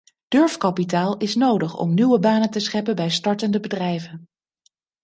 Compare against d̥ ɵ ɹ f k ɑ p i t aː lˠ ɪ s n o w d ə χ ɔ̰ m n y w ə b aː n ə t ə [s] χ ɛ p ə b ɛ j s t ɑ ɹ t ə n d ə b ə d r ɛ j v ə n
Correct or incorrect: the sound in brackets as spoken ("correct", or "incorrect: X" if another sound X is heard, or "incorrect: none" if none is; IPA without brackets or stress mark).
correct